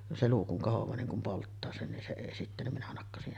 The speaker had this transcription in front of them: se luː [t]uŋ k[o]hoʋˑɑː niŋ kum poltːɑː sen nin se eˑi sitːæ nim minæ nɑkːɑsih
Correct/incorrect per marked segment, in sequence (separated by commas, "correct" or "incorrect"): incorrect, correct